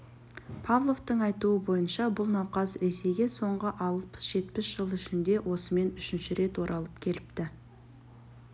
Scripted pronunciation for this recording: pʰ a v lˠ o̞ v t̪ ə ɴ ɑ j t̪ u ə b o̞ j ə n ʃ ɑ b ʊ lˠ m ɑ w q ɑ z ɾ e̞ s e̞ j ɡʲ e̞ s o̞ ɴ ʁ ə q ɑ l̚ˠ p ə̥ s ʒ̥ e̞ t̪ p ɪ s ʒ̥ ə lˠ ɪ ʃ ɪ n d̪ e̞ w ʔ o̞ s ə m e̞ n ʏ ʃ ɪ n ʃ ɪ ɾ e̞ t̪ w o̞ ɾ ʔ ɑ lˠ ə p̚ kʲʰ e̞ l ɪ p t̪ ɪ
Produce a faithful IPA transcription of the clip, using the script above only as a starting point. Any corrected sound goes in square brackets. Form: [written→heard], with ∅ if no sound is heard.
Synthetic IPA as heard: pʰ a v lˠ o̞ v t̪ ə ɴ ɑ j t̪ u ə b o̞ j ə n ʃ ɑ b ʊ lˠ [m→n] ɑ w q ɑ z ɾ e̞ s e̞ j ɡʲ e̞ s o̞ ɴ ʁ ə [q→ʔ] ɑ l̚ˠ p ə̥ s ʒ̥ e̞ t̪ p ɪ s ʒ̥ ə lˠ ɪ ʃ ɪ n d̪ e̞ w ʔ o̞ s ə m e̞ n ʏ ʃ ɪ n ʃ ɪ ɾ e̞ t̪ w o̞ ɾ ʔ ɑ lˠ ə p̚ kʲʰ e̞ l ɪ p t̪ ɪ